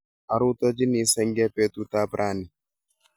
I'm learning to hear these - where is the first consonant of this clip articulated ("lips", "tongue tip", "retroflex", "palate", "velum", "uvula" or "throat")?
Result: tongue tip